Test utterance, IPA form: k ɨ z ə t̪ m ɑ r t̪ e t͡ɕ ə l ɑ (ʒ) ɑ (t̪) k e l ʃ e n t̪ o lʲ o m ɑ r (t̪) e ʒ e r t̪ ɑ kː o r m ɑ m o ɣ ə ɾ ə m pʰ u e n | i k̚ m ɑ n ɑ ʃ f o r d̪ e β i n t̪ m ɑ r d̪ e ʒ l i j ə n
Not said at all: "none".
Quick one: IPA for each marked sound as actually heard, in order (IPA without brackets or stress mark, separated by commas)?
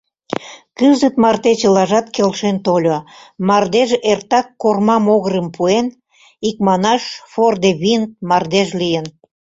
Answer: ʒ, t̪, d̪